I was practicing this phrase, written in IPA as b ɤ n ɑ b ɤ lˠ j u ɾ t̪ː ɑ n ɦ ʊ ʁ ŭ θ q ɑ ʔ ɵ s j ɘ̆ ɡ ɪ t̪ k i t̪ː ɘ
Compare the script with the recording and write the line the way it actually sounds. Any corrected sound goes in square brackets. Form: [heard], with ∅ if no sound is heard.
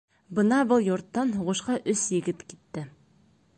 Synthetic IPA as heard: b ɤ n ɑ b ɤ lˠ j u ɾ t̪ː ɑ n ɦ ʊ ʁ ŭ [ʃ] q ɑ ʔ ɵ s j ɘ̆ ɡ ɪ t̪ k i t̪ː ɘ